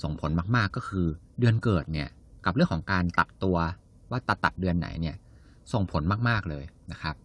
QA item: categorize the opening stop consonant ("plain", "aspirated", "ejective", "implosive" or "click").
aspirated